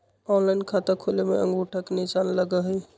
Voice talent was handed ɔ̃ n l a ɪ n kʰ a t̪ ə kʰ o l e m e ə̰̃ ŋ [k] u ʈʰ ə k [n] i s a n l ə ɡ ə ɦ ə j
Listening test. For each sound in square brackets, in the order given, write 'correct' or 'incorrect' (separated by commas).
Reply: incorrect, correct